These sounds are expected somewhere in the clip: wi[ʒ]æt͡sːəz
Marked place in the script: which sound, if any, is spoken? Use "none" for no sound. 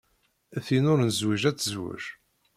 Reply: ʒ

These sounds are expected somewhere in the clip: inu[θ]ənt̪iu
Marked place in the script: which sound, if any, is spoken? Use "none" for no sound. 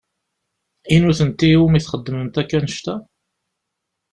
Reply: θ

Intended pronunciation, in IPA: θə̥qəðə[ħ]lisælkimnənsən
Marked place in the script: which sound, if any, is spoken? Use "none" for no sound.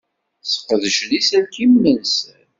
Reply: ʃ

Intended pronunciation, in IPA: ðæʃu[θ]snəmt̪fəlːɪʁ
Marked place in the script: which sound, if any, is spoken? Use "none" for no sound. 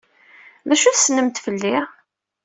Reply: θ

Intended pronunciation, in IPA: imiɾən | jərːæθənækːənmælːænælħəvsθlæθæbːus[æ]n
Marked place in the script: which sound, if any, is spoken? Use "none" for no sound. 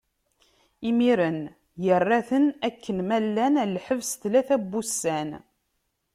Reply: æ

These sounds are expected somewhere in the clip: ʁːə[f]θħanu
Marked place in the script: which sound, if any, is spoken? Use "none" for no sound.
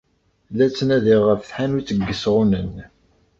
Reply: f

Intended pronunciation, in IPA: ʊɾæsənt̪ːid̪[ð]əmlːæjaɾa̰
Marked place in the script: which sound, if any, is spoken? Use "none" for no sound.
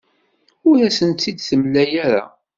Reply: θ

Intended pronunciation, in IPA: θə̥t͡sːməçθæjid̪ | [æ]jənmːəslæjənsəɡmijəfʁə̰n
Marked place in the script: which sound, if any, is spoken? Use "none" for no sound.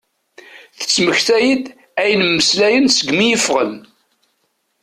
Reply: æ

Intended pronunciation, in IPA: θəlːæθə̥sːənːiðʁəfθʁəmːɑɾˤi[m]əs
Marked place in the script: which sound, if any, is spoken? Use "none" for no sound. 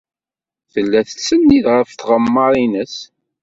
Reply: n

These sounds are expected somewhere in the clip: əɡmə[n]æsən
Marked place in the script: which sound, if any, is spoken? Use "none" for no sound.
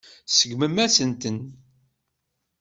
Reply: m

